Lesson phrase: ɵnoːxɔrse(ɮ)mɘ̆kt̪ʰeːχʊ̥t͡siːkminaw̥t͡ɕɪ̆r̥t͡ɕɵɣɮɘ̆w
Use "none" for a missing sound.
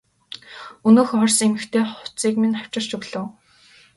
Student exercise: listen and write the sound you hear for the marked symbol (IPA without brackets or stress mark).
none